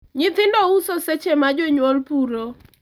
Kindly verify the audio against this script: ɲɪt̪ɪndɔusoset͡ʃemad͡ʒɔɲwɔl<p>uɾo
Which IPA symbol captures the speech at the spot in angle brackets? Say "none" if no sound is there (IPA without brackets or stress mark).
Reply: p